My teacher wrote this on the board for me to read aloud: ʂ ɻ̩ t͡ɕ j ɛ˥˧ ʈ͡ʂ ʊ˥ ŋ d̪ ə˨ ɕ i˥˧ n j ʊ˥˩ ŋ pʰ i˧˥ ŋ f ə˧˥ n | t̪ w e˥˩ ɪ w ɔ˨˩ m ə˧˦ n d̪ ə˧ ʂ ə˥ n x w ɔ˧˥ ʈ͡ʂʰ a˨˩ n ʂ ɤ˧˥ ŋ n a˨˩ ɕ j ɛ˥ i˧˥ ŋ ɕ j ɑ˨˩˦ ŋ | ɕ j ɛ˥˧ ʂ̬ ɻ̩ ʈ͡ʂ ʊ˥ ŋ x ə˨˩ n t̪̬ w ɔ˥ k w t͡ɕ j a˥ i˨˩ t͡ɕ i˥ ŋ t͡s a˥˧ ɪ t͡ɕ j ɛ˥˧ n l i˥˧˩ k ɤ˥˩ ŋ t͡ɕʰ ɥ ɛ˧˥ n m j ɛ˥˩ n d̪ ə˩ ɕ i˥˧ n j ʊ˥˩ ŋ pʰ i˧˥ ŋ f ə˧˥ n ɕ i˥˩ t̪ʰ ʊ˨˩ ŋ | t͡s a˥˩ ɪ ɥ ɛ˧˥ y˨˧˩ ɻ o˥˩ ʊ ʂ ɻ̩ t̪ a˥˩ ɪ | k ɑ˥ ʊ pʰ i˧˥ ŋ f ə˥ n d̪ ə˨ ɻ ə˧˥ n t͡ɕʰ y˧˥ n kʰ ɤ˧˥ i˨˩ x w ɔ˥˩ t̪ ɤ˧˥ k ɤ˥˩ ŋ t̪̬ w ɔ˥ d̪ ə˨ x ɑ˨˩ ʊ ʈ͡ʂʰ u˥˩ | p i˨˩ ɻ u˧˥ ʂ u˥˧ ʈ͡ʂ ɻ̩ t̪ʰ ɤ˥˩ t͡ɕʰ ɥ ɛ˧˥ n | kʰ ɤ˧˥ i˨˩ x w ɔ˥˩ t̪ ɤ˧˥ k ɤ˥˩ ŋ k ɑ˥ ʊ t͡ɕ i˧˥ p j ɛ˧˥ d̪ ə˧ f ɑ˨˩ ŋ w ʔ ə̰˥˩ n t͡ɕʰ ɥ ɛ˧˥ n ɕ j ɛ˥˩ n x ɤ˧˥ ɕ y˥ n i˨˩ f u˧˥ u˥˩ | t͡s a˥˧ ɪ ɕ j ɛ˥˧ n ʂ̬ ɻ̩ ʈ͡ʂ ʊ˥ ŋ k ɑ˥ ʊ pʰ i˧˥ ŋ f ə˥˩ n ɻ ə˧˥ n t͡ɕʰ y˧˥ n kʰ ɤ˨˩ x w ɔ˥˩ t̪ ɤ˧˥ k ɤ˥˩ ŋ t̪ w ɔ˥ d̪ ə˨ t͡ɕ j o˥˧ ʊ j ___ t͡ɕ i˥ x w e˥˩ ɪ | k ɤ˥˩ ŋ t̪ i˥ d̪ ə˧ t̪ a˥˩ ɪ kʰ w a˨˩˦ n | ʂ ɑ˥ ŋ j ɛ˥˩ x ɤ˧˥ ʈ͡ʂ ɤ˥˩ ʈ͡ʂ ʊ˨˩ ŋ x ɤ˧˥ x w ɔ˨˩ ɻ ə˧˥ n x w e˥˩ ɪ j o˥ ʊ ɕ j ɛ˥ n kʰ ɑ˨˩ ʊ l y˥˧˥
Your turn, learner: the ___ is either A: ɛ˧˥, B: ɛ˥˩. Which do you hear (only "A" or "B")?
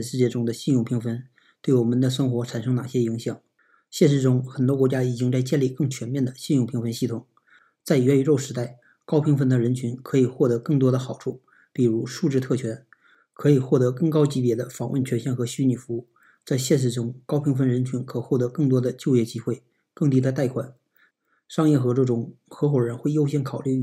B